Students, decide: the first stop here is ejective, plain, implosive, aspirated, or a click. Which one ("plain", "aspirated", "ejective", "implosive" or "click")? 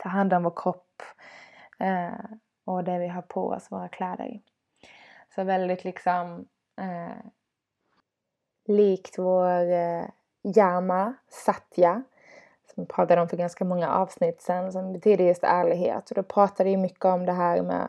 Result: aspirated